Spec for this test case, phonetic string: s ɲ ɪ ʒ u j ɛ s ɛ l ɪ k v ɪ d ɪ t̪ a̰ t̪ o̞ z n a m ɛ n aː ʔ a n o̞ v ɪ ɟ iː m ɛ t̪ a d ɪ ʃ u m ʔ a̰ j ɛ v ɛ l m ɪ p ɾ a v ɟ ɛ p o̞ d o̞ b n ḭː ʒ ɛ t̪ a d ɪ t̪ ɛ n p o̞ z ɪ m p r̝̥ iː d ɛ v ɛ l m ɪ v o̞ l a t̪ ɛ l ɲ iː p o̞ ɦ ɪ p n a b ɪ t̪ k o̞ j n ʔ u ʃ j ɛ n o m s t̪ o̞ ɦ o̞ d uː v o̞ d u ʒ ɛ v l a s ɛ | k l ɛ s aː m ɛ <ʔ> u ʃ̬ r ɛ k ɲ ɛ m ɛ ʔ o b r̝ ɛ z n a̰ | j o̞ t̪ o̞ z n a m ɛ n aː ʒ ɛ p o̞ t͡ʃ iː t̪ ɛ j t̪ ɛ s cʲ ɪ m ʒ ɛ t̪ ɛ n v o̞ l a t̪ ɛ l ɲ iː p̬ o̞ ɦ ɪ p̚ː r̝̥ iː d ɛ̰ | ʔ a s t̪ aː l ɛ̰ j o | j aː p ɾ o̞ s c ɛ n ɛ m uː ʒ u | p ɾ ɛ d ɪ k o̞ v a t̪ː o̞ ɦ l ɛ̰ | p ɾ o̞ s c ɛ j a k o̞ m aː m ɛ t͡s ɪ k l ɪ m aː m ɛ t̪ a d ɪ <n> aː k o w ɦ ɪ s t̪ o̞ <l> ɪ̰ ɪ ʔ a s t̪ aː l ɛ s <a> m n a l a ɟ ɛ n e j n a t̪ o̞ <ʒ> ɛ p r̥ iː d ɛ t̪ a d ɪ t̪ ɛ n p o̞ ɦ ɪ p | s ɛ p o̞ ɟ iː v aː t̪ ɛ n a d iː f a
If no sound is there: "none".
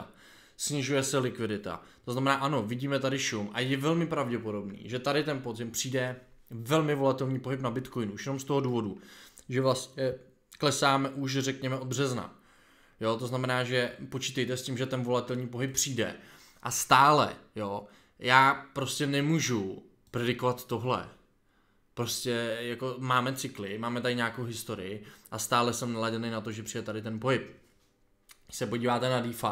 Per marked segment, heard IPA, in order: ʔ, ɲ, ɾ, ɛ, ʒ

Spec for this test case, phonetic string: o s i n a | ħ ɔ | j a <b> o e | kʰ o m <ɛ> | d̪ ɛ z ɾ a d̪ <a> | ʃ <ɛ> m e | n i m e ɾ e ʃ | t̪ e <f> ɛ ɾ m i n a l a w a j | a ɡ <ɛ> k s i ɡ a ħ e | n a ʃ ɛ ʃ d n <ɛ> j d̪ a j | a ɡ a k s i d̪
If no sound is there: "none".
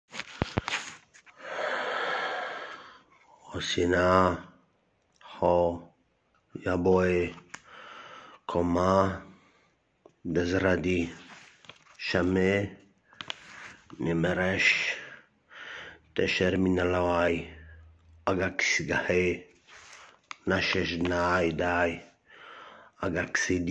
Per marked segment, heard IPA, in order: b, a, i, a, ʃ, a, a

